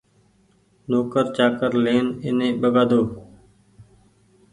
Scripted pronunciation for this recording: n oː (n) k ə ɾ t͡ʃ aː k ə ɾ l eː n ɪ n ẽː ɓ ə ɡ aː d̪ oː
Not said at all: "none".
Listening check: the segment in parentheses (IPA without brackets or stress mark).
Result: none